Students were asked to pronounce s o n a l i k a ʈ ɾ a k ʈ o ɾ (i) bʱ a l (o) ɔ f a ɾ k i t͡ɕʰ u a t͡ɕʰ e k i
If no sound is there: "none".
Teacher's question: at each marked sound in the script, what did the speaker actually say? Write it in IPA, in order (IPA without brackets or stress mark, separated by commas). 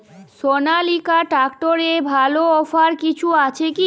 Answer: e, o